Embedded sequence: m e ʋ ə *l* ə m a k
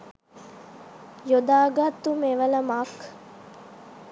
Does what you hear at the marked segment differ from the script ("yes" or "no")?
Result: no